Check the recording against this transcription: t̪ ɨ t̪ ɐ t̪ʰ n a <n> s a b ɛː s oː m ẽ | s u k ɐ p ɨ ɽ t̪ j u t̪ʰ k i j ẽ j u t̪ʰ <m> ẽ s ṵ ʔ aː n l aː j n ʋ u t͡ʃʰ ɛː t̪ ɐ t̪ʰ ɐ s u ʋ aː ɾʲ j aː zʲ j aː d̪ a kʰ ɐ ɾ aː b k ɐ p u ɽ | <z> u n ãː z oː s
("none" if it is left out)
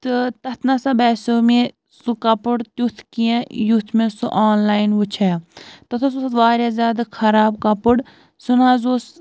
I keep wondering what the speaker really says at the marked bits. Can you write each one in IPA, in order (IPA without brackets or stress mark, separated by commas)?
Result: none, m, s